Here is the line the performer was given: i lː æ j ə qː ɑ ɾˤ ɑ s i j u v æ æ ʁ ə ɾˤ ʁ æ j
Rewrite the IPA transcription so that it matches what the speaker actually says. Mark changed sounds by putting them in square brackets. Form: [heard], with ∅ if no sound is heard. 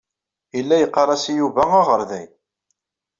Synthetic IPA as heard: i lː æ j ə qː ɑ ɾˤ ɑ s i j u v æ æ ʁ ə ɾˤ [ð] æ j